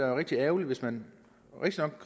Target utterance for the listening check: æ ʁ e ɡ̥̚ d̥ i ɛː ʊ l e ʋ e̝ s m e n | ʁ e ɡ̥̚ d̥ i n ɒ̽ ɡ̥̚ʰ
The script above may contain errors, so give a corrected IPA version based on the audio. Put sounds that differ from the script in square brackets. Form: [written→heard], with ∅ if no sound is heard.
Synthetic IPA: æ ʁ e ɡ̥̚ d̥ i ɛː ʊ l [e→i] ʋ e̝ s m [e→æ] n | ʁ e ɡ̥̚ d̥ i n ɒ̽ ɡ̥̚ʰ

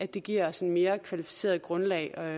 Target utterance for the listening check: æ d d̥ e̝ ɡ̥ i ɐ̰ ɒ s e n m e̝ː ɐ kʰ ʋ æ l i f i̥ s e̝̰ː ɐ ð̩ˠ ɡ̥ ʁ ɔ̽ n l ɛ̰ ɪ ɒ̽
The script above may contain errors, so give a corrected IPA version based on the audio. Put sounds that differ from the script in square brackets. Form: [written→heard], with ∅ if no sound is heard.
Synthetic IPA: æ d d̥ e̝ ɡ̥ i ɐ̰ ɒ s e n m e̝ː ɐ kʰ ʋ æ l i f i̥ s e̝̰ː ɐ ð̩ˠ ɡ̥ ʁ ɔ̽ n l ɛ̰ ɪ ɒ̽

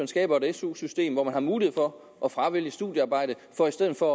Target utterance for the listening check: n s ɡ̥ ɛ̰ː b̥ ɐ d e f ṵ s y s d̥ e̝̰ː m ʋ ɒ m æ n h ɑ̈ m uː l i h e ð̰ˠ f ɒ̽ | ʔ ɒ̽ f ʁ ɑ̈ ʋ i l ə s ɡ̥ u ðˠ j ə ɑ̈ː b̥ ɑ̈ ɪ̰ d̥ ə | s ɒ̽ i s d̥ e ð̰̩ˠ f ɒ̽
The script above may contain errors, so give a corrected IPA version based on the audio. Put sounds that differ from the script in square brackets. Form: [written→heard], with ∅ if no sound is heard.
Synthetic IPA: n s ɡ̥ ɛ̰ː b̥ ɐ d e [f→s] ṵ s y s d̥ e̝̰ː m ʋ ɒ m æ n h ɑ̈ m uː l i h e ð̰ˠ f ɒ̽ | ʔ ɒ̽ f ʁ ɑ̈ ʋ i l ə s [ɡ̥→d̥] u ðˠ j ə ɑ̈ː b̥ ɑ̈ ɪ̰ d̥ ə | [s→f] ɒ̽ i s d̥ e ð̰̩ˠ f ɒ̽

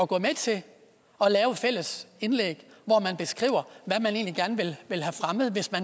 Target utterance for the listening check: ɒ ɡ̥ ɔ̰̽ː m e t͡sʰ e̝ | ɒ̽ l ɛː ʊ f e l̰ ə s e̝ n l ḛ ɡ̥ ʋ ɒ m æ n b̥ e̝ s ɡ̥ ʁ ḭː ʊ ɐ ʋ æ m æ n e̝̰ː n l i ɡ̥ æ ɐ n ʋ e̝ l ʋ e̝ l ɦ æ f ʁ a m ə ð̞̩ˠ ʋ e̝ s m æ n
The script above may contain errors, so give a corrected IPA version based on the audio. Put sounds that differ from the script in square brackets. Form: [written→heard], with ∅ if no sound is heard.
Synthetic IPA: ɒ ɡ̥ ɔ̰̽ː m e t͡sʰ e̝ | ɒ̽ l ɛː ʊ f e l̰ ə s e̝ n l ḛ ɡ̥ ʋ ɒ m æ n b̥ e̝ s ɡ̥ ʁ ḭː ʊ ɐ ʋ æ m æ n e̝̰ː n l i ɡ̥ æ ɐ n ʋ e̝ l ʋ e̝ l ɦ æ f ʁ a m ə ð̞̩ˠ ʋ e̝ s m æ n

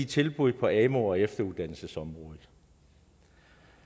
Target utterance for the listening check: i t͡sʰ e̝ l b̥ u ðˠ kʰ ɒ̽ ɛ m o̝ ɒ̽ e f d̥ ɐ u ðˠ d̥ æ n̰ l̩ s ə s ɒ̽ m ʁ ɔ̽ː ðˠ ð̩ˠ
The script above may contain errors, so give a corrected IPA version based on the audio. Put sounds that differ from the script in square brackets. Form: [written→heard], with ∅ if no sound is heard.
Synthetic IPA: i t͡sʰ e̝ l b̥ u ðˠ [kʰ→pʰ] ɒ̽ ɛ m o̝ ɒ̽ e f d̥ ɐ u ðˠ d̥ æ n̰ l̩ s ə s ɒ̽ m ʁ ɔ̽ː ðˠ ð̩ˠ

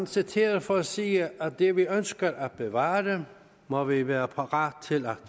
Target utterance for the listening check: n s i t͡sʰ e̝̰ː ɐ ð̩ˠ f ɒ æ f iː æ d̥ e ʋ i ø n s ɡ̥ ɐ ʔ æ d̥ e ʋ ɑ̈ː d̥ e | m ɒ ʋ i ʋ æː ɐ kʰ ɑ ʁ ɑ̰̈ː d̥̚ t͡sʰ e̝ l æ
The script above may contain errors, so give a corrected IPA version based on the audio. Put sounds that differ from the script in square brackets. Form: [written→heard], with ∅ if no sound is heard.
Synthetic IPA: n s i t͡sʰ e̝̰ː ɐ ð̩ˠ f ɒ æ [f→s] iː æ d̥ e ʋ i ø n s ɡ̥ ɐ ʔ æ [d̥→b̥] e ʋ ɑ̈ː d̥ e | m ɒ ʋ i ʋ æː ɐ [kʰ→pʰ] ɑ ʁ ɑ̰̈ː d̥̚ t͡sʰ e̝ l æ

